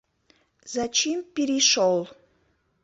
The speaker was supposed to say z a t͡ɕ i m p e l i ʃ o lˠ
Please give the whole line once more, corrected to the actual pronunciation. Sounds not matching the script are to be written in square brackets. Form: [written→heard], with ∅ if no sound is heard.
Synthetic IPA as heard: z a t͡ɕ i m p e [l→ɾ] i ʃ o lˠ